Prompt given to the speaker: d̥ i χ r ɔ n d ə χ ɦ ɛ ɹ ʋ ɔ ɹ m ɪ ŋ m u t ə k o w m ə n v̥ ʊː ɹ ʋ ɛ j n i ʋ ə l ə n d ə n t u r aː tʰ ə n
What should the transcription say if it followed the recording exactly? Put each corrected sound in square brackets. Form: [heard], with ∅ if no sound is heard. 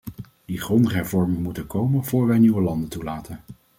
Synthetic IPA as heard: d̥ i χ r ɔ n d ə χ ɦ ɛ ɹ [v] ɔ ɹ m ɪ ŋ m u t ə k o w m ə n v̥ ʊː ɹ ʋ ɛ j n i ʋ ə l [ɑ] n d ə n t u [l] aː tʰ ə n